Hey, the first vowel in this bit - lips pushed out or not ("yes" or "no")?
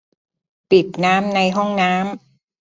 no